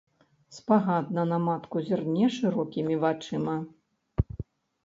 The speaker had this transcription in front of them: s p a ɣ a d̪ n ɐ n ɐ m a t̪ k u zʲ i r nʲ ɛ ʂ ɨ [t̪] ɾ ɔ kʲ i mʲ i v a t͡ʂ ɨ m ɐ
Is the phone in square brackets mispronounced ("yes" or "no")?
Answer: yes